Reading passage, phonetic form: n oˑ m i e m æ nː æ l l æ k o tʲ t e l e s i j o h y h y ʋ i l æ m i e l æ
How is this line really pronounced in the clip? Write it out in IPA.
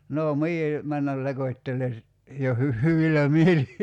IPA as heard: n oˑ m i e m æ nː æ l l e k o tʲ t e l e s i j o h y h y ʋ i l æ m i e l i